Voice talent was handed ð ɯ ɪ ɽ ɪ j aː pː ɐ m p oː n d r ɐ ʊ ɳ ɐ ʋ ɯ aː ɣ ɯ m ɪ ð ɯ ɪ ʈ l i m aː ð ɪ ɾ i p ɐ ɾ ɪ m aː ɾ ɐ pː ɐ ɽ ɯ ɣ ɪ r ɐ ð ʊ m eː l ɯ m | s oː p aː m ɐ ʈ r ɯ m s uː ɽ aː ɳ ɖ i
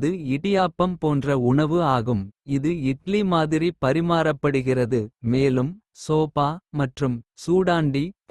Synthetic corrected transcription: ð ɯ ɪ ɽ ɪ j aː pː ɐ m p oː n d r ɐ ʊ ɳ ɐ ʋ ɯ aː ɣ ɯ m ɪ ð ɯ ɪ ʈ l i m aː ð ɪ ɾ i p ɐ ɾ ɪ m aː ɾ ɐ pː ɐ ɽ ɯ ɣ ɪ r ɐ ð ɯ m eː l ɯ m | s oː p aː m ɐ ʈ r ɯ m s uː ɽ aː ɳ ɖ i

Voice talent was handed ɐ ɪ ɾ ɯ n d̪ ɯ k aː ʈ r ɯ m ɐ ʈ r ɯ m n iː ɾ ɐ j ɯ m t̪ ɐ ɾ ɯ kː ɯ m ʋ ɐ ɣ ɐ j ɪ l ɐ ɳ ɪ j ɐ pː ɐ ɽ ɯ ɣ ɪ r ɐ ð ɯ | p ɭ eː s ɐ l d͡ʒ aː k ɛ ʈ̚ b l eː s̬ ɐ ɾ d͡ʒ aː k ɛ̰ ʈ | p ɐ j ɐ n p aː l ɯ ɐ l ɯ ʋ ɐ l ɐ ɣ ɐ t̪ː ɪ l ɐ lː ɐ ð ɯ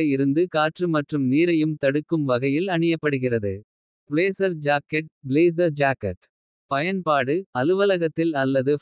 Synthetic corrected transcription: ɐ ɪ ɾ ɯ n d̪ ɯ k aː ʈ r ɯ m ɐ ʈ r ɯ m n iː ɾ ɐ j ɯ m t̪ ɐ ɽ ɯ kː ɯ m ʋ ɐ ɣ ɐ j ɪ l ɐ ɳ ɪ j ɐ pː ɐ ɽ ɯ ɣ ɪ r ɐ ð ɯ | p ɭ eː s ɐ ɾ d͡ʒ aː k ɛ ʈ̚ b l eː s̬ ɐ ɾ d͡ʒ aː k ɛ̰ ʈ | p ɐ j ɐ n p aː ɽ ɯ ɐ l ɯ ʋ ɐ l ɐ ɣ ɐ t̪ː ɪ l ɐ lː ɐ ð ɯ

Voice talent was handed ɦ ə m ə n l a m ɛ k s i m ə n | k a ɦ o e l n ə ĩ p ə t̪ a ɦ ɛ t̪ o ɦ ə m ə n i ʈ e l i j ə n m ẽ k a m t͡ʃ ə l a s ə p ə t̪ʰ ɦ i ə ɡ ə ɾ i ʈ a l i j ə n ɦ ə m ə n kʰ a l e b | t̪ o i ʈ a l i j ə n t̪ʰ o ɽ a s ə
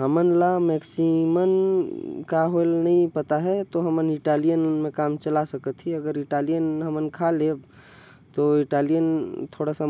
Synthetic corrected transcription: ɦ ə m ə n l a m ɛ k s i m ə n | k a ɦ o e l n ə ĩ p ə t̪ a ɦ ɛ t̪ o ɦ ə m ə n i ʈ a l i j ə n m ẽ k a m t͡ʃ ə l a s ə k ə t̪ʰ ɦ i ə ɡ ə ɾ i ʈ a l i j ə n ɦ ə m ə n kʰ a l e b | t̪ o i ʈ a l i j ə n t̪ʰ o ɽ a s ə

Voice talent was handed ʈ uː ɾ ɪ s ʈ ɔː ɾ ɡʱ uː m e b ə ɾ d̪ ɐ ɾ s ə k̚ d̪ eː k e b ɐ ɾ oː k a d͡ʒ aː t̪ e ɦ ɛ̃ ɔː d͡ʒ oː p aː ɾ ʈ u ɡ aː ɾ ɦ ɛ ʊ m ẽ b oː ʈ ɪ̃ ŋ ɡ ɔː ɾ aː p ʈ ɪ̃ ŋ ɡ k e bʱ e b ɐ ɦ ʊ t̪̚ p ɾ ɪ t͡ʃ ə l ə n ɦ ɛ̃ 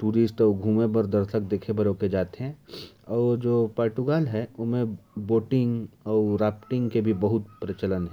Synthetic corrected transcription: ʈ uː ɾ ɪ s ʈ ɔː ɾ ɡʱ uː m e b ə ɾ d̪ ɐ ɾ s ə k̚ d̪ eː kʰ e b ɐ ɾ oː k e d͡ʒ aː t̪ e ɦ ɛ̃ ɔː d͡ʒ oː p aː ɾ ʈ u ɡ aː l ɦ ɛ ʊ m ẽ b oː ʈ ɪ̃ ŋ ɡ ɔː ɾ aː p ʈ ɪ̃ ŋ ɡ k e bʱ i b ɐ ɦ ʊ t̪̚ p ɾ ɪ t͡ʃ ə l ə n ɦ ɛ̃

